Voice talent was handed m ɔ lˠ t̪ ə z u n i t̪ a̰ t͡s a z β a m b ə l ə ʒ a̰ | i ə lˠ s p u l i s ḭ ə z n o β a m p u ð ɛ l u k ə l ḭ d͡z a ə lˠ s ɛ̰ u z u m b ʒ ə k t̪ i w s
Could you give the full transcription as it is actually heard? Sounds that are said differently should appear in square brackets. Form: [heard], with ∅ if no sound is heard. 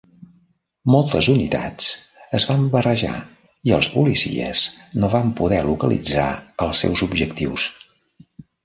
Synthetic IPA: m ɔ lˠ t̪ ə z u n i t̪ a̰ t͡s [ə] z β a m b ə [r] ə ʒ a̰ | i ə lˠ s p u l i s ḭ ə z n o β a m p u ð ɛ l u k ə l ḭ d͡z a ə lˠ s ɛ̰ [w] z u [∅] b ʒ ə k t̪ i w s